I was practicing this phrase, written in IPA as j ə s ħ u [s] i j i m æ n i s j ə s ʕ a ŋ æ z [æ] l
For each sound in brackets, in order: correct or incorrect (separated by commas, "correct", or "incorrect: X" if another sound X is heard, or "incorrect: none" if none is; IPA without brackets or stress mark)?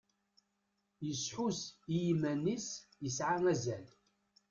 correct, correct